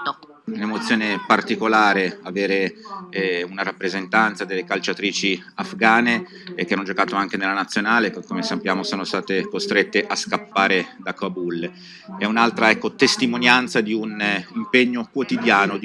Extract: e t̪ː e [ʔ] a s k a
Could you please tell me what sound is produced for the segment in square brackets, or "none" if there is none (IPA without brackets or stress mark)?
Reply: ʔ